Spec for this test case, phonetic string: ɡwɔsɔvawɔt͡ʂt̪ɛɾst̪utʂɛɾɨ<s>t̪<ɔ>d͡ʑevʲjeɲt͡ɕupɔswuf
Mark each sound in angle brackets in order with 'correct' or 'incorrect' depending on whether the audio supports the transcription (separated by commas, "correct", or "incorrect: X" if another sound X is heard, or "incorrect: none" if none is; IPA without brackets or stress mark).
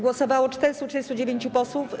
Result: correct, incorrect: u